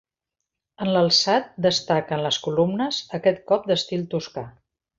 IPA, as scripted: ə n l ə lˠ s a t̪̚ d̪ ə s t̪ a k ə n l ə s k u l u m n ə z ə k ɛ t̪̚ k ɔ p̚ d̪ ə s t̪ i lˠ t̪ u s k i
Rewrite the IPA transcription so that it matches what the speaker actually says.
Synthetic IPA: ə n l ə lˠ s a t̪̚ d̪ ə s t̪ a k ə n l ə s k u l u m n ə z ə k ɛ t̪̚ k ɔ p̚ d̪ ə s t̪ i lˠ t̪ u s k a